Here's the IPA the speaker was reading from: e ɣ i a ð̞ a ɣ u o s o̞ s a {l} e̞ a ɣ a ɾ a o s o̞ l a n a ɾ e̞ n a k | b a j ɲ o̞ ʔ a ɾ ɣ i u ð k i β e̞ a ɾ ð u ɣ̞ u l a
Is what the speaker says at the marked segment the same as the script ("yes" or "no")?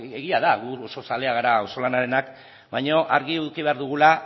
yes